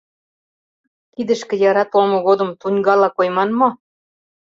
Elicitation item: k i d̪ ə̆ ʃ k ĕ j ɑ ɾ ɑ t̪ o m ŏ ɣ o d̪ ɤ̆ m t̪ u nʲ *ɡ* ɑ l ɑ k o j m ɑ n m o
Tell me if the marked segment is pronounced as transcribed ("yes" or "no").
yes